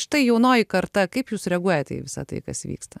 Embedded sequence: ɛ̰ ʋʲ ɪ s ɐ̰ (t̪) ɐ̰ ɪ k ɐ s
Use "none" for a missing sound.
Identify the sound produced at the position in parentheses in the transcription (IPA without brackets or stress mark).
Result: t̪